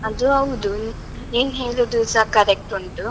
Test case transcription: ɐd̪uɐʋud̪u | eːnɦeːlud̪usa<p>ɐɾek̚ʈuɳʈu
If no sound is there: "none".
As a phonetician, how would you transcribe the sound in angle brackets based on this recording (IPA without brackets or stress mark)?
k